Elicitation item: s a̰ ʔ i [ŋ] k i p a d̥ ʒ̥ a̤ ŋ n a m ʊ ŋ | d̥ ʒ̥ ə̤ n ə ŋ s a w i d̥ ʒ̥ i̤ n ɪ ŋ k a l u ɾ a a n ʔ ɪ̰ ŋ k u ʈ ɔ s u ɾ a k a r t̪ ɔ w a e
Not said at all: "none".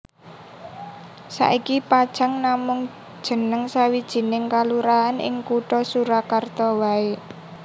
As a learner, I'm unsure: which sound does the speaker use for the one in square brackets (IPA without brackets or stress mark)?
none